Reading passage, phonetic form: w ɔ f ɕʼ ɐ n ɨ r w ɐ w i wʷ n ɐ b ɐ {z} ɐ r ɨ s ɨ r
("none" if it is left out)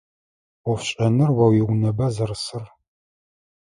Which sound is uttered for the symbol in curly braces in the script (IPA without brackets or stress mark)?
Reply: z